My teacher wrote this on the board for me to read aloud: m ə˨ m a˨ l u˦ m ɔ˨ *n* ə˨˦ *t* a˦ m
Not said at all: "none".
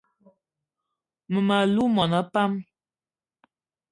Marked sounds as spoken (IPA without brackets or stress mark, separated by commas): n, p